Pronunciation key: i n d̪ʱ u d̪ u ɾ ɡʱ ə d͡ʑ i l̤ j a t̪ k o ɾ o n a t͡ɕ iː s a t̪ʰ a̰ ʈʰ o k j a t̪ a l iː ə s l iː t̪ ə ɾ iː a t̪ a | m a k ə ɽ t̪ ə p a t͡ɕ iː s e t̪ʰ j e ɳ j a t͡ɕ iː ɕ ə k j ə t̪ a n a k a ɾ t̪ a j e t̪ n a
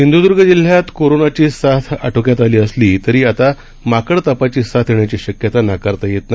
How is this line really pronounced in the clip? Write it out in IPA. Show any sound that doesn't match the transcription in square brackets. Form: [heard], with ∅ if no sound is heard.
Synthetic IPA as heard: i n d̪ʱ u d̪ u ɾ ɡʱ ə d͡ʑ i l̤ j a t̪ k o ɾ o n a t͡ɕ iː s a t̪ʰ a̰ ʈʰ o k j a t̪ a l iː ə s l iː t̪ ə ɾ iː a t̪ a | m a k ə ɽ t̪ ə p a t͡ɕ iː s [a] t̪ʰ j e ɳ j a t͡ɕ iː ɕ ə k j ə t̪ a n a k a ɾ t̪ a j e t̪ n a